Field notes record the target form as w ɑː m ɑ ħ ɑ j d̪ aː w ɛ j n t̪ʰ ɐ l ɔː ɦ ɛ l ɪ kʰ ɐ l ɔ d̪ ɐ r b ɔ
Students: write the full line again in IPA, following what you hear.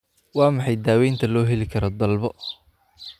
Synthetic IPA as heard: w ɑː m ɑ ħ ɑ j d̪ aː w ɛ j n t̪ʰ ɐ l ɔː ɦ ɛ l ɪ kʰ ɐ ɾ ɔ d̪ ɐ l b ɔ